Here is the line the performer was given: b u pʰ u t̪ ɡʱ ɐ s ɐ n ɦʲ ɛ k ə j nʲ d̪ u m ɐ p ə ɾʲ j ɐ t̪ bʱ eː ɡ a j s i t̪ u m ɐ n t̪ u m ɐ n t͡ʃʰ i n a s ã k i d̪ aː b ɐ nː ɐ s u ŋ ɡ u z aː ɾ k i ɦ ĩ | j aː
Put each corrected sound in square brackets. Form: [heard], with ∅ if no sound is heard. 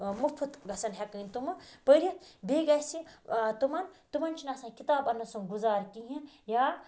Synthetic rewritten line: [m] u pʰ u t̪ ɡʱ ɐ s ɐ n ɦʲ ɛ k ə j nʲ [t̪] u m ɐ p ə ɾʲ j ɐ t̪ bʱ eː ɡ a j s i t̪ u m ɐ n t̪ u m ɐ n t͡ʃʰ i n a s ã k i [t̪] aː b ɐ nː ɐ s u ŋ ɡ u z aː ɾ k i ɦ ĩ | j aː